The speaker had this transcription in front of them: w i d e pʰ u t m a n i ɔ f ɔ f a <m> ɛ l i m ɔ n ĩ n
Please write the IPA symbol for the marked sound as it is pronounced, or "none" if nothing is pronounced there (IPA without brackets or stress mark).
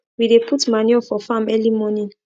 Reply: m